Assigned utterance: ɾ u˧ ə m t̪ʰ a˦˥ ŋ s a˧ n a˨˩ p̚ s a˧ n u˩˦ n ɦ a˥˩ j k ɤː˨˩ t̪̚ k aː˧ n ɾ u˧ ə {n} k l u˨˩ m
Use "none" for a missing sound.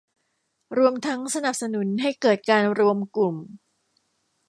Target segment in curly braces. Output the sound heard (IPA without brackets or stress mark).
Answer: m